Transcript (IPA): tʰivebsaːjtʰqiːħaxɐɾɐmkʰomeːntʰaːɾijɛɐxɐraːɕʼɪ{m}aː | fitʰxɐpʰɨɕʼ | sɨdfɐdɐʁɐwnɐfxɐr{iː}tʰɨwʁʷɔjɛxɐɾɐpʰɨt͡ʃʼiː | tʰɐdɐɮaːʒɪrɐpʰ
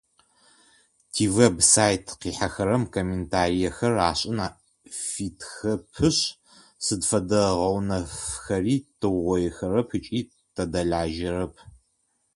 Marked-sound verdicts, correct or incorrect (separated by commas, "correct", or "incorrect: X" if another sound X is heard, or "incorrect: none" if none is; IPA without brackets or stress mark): incorrect: n, correct